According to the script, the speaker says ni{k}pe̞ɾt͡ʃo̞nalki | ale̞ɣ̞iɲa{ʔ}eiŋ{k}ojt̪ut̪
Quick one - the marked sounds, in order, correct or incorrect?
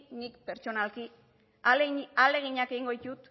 correct, incorrect: k, incorrect: ɡ

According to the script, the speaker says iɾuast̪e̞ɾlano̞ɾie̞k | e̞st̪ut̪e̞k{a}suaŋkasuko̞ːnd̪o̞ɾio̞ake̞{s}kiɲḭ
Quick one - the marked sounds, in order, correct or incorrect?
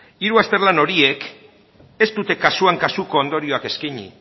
correct, correct

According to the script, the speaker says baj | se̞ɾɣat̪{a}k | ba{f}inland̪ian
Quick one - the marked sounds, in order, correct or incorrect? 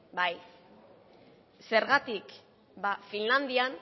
incorrect: i, correct

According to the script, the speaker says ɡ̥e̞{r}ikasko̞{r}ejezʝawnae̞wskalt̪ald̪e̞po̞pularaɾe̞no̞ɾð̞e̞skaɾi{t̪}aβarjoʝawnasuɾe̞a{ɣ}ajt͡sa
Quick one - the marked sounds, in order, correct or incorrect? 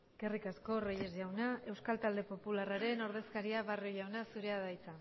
correct, correct, incorrect: none, incorrect: ð

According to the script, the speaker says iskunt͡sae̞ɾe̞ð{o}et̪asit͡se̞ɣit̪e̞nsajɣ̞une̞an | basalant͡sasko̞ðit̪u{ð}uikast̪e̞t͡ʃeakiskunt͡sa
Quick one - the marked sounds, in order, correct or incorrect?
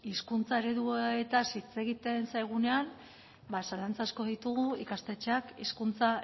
incorrect: u, incorrect: ɣ

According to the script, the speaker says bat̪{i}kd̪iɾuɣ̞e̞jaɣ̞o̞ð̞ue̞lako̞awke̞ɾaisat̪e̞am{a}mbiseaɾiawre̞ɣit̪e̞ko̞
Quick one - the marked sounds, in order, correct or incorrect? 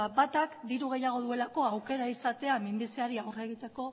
incorrect: a, incorrect: i

